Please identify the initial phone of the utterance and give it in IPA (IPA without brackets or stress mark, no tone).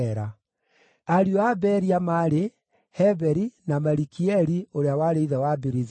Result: ɾ